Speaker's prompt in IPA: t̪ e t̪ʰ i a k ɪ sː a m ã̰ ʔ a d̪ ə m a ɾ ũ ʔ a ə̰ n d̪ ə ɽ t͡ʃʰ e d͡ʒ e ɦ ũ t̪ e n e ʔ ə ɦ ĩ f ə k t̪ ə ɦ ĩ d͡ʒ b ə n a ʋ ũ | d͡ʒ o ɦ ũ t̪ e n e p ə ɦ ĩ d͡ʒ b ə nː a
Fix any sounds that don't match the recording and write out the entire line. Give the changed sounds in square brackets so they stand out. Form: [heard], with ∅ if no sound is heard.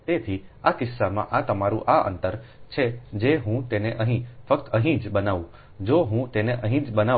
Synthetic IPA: t̪ e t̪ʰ i a k ɪ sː a m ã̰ ʔ a [t̪] ə m a ɾ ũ ʔ a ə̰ n [t̪] ə [ɾ] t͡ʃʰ e d͡ʒ e ɦ ũ t̪ e n e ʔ ə ɦ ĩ f ə k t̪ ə ɦ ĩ d͡ʒ b ə n a ʋ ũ | d͡ʒ o ɦ ũ t̪ e n e [ʔ] ə ɦ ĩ d͡ʒ b ə [n] a